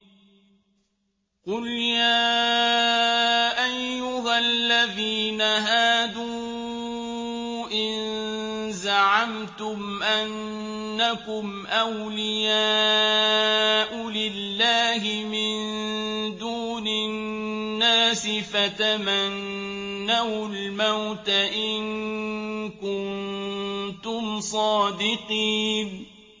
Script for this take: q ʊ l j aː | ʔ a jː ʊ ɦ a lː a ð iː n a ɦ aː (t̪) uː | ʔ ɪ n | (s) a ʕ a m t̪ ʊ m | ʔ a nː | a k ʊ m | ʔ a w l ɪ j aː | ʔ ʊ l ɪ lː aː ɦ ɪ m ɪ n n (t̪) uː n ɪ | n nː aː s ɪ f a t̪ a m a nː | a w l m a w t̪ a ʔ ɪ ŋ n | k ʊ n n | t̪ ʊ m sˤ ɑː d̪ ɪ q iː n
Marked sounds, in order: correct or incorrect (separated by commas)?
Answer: incorrect, incorrect, incorrect